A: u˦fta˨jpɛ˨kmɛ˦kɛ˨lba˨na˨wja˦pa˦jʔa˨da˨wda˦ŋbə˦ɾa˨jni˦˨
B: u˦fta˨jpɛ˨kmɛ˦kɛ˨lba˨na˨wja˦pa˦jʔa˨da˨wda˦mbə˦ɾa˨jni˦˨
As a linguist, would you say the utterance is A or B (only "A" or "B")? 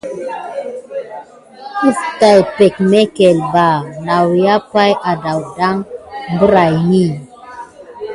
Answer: A